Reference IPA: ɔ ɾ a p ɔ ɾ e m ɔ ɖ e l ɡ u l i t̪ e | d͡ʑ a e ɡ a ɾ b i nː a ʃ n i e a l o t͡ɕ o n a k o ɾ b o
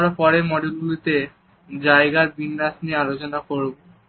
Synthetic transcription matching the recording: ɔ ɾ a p ɔ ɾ e m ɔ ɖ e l ɡ u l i t̪ e | d͡ʑ a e ɡ a ɾ b i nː a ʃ n i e a l o t͡ɕ o n a k o ɾ b o